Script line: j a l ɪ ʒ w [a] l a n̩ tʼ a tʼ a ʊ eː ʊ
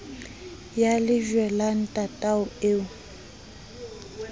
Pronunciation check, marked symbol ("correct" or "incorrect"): incorrect